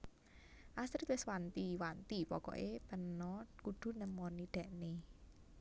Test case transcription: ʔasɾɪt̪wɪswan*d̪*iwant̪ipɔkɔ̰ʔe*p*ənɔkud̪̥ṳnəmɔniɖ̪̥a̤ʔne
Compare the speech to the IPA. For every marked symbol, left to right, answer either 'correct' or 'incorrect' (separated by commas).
incorrect, correct